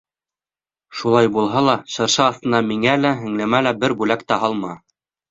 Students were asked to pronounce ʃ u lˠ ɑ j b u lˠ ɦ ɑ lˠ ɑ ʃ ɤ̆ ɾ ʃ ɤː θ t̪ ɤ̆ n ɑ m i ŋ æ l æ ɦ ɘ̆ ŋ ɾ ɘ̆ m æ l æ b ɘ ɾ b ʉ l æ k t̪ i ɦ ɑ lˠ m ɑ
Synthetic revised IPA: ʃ u lˠ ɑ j b u lˠ ɦ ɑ lˠ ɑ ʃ ɤ̆ ɾ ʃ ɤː θ t̪ ɤ̆ n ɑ m i ŋ æ l æ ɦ ɘ̆ ŋ l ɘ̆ m æ l æ b ɘ ɾ b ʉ l æ k t̪ æ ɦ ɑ lˠ m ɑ